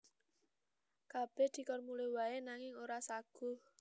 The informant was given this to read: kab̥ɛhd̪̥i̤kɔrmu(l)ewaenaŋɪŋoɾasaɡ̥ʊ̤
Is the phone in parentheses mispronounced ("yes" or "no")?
no